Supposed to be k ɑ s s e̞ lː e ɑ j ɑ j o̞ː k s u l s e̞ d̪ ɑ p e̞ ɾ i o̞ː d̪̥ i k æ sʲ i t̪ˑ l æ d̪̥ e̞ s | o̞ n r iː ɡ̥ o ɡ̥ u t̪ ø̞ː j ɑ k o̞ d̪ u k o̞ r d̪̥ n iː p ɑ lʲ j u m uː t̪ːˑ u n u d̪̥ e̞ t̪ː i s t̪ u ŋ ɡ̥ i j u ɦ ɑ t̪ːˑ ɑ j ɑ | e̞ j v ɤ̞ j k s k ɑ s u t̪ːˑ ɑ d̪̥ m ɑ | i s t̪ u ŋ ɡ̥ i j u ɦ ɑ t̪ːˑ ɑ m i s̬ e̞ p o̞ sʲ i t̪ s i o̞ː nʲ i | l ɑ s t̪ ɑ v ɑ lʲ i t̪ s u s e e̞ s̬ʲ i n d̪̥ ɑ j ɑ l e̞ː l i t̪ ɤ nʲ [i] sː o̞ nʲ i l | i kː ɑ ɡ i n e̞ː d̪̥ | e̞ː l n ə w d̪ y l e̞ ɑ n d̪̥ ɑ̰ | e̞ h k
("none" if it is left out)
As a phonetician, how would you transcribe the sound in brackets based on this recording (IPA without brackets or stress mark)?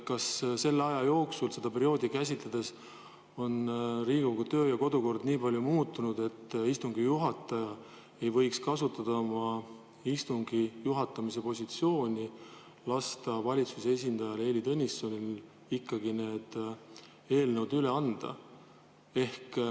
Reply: i